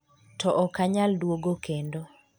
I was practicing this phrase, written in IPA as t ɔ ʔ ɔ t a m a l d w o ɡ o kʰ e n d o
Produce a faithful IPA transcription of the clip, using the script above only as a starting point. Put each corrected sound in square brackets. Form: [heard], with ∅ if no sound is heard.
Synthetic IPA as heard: t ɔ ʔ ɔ [k] a [ɲ] a l d w o ɡ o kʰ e n d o